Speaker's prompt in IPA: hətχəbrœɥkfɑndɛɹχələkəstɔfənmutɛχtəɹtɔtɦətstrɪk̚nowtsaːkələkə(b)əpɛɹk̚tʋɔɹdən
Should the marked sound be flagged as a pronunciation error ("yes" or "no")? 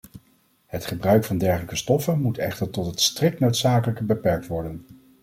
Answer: no